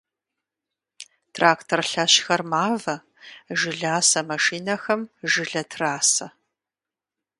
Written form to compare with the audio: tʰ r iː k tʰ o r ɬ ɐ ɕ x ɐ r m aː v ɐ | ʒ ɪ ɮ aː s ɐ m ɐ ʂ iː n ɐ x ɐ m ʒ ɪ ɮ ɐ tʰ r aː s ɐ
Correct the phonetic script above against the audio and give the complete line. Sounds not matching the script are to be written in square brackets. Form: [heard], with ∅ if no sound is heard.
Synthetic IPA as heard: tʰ r [aː] k tʰ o r ɬ ɐ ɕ x ɐ r m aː v ɐ | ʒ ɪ ɮ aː s ɐ m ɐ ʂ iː n ɐ x ɐ m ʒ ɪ ɮ ɐ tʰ r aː s ɐ